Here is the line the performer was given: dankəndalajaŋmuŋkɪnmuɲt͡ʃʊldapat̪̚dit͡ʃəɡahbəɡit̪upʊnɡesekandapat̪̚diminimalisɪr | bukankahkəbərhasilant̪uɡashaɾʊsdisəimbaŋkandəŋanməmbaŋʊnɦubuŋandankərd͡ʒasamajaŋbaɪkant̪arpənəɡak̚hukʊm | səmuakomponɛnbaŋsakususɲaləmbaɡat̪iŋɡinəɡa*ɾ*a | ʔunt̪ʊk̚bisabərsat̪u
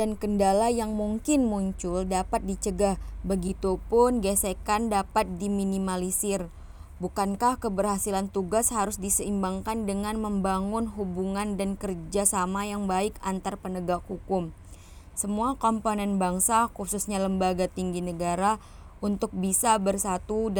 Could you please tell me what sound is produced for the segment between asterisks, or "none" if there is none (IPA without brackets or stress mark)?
ɾ